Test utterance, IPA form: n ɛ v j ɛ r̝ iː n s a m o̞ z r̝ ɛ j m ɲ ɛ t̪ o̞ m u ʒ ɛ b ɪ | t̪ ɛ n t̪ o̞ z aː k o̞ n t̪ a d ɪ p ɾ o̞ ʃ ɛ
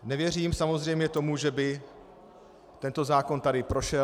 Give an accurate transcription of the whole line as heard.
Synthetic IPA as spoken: n ɛ v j ɛ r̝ iː m s a m o̞ z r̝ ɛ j m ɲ ɛ t̪ o̞ m u ʒ ɛ b ɪ | t̪ ɛ n t̪ o̞ z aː k o̞ n t̪ a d ɪ p ɾ o̞ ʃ ɛ

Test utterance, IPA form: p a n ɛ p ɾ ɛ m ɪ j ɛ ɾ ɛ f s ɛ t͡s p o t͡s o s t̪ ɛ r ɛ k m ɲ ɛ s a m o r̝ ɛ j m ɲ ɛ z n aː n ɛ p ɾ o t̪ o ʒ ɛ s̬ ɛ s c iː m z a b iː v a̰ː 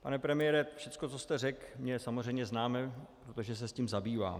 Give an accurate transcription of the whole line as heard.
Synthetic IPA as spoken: p a n ɛ p ɾ ɛ m ɪ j ɛ ɾ ɛ f ʃ ɛ t͡s k o t͡s o s t̪ ɛ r ɛ k m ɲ ɛ s a m o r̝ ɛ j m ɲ ɛ z n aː m ɛ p ɾ o t̪ o ʒ ɛ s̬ ɛ s c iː m z a b iː v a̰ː

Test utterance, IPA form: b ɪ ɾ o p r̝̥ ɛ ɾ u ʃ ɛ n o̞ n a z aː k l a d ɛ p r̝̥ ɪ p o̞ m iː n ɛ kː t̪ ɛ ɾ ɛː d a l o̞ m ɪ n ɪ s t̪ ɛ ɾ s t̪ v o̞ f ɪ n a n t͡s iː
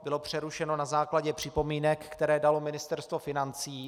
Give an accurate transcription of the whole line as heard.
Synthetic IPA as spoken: b ɪ l o p r̝̥ ɛ ɾ u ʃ ɛ n o̞ n a z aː k l a ɟ ɛ p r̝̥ ɪ p o̞ m iː n ɛ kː t̪ ɛ ɾ ɛː d a l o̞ m ɪ n ɪ s t̪ ɛ ɾ s t̪ v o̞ f ɪ n a n t͡s iː

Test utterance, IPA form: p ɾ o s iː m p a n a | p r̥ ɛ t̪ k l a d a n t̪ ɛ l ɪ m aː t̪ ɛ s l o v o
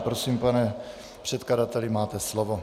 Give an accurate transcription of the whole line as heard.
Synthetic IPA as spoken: p ɾ o s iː m p a n ɛ | p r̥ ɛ t̪ k l a d a t̪ ɛ l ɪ m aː t̪ ɛ s l o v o

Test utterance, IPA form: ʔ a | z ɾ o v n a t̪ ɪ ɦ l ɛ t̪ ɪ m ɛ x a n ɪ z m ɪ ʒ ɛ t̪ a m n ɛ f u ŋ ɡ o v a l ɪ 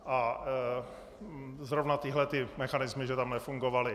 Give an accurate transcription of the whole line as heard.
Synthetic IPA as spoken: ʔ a | z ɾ o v n a t̪ ɪ ɦ l ɛ t̪ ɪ m ɛ x a n ɪ z m ɪ ʒ ɛ t̪ a m n ɛ f u ŋ ɡ o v a l ɪ

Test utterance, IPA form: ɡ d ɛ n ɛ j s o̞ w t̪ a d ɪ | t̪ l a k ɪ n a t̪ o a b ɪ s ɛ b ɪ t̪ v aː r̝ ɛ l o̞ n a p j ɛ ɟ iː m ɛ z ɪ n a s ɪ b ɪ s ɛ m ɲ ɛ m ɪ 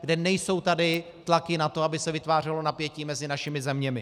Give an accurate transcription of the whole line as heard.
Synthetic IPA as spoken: ɡ d ɛ n ɛ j s o̞ w t̪ a d ɪ | t̪ l a k ɪ n a t̪ o a b ɪ s ɛ v ɪ t̪ v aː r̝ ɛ l o̞ n a p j ɛ c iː m ɛ z ɪ n a ʃ ɪ m ɪ z ɛ m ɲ ɛ m ɪ

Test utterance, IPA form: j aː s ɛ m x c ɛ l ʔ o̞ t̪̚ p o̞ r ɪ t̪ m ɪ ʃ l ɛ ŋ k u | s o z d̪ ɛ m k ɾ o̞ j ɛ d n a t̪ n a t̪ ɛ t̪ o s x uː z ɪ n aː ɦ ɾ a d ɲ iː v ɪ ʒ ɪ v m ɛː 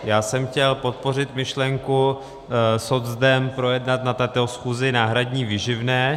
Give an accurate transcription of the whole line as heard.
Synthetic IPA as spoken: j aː s ɛ m x c ɛ l p o̞ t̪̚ p o̞ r ɪ t̪ m ɪ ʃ l ɛ ŋ k u | s o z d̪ ɛ m p ɾ o̞ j ɛ d n a t̪ n a t̪ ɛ t̪ o s x uː z ɪ n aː ɦ ɾ a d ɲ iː v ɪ ʒ ɪ v n ɛː

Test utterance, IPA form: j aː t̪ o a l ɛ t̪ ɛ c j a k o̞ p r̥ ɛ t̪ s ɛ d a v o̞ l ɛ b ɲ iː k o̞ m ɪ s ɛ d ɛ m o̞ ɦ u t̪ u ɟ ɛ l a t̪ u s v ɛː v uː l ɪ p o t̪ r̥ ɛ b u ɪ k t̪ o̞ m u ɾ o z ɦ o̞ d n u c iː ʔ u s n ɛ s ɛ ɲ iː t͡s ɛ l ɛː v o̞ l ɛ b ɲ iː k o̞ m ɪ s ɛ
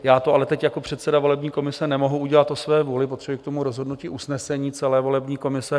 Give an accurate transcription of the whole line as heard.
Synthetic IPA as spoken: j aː t̪ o a l ɛ t̪ ɛ c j a k o̞ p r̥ ɛ t̪ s ɛ d a v o̞ l ɛ b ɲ iː k o̞ m ɪ s ɛ n ɛ m o̞ ɦ u u ɟ ɛ l a t̪ o s v ɛː v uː l ɪ p o t̪ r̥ ɛ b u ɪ k t̪ o̞ m u ɾ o z ɦ o̞ d n u c iː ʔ u s n ɛ s ɛ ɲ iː t͡s ɛ l ɛː v o̞ l ɛ b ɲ iː k o̞ m ɪ s ɛ

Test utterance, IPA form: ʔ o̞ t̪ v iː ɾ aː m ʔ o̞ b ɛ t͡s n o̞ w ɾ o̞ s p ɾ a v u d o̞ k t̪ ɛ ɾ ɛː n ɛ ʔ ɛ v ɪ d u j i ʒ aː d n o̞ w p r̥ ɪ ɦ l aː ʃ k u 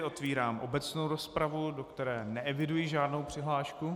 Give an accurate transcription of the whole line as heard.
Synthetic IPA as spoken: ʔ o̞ t̪ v iː ɾ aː m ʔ o̞ b ɛ t͡s n o̞ w ɾ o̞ s p ɾ a v u d o̞ k t̪ ɛ ɾ ɛː n ɛ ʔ ɛ v ɪ d u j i ʒ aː d n o̞ w p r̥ ɪ ɦ l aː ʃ k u

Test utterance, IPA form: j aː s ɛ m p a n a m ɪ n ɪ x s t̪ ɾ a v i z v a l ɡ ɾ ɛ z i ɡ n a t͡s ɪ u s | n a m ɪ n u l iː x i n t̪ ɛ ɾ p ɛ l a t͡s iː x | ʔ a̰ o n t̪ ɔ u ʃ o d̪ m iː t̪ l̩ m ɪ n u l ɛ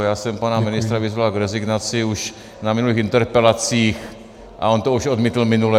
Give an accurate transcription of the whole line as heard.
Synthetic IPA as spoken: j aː s ɛ m p a n a m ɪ n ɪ s t̪ ɾ a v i z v a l ɡ ɾ ɛ z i ɡ n a t͡s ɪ u ʃ | n a m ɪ n u l iː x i n t̪ ɛ ɾ p ɛ l a t͡s iː x | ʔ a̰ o n t̪ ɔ u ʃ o d̪ m iː t̪ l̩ m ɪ n u l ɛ

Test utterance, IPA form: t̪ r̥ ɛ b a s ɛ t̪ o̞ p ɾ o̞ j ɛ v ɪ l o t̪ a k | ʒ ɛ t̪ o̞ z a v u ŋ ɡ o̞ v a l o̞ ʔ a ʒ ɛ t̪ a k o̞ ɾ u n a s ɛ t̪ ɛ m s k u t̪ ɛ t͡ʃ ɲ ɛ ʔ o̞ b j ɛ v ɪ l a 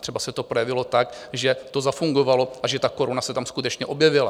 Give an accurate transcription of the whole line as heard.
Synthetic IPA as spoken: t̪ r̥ ɛ b a s ɛ t̪ o̞ p ɾ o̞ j ɛ v ɪ l o t̪ a k | ʒ ɛ t̪ o̞ z a f u ŋ ɡ o̞ v a l o̞ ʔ a ʒ ɛ t̪ a k o̞ ɾ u n a s ɛ t̪ a m s k u t̪ ɛ t͡ʃ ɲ ɛ ʔ o̞ b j ɛ v ɪ l a

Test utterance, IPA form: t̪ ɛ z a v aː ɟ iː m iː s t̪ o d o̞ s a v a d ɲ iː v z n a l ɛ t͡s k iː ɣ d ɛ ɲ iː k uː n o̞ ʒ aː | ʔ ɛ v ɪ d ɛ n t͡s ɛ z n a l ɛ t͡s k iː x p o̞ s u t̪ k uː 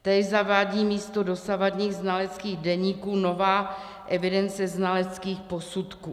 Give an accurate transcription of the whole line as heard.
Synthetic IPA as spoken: t̪ ɛ z a v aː ɟ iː m iː s t̪ o d o̞ s a v a d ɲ iː ɣ z n a l ɛ t͡s k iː ɣ d ɛ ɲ iː k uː n o̞ v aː | ʔ ɛ v ɪ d ɛ n t͡s ɛ z n a l ɛ t͡s k iː x p o̞ s u t̪ k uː

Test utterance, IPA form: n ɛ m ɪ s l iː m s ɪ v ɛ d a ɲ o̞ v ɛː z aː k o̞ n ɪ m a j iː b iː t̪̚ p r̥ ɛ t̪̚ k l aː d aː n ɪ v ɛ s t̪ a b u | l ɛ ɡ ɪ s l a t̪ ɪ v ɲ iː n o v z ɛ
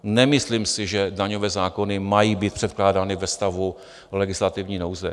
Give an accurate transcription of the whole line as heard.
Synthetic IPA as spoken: n ɛ m ɪ s l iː m s ɪ ʒ ɛ d a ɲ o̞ v ɛː z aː k o̞ n ɪ m a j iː b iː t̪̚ p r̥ ɛ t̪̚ k l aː d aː n ɪ v ɛ s t̪ a v u | l ɛ ɡ ɪ s l a t̪ ɪ v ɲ iː n o w z ɛ

